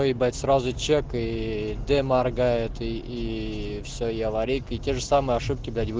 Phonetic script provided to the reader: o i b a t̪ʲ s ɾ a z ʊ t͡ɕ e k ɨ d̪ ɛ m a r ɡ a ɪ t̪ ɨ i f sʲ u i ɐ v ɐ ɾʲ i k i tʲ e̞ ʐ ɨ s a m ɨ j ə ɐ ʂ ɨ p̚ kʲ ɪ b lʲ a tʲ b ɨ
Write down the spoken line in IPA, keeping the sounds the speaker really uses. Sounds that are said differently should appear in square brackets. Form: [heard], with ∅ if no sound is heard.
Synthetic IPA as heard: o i b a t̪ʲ s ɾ a z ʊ t͡ɕ e k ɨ d̪ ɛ m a r ɡ a ɪ t̪ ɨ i f sʲ [o] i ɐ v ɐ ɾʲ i k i tʲ e̞ ʐ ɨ s a m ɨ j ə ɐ ʂ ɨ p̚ kʲ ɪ b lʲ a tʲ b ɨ